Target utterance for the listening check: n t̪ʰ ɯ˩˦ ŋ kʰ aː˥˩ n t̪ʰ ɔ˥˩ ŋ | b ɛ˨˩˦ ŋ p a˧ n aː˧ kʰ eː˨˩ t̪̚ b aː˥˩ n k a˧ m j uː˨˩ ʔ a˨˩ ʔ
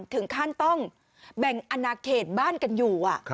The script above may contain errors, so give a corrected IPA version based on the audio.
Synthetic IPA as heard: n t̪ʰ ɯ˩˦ ŋ kʰ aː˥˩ n t̪ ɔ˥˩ ŋ | b ɛ˨˩ ŋ ʔ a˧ n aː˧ kʰ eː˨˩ t̪̚ b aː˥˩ n k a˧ n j uː˨˩ ʔ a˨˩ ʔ